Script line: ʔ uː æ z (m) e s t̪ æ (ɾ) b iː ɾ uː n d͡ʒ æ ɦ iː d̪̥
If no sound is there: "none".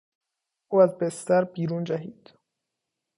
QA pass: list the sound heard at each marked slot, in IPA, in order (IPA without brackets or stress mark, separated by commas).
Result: b, ɾ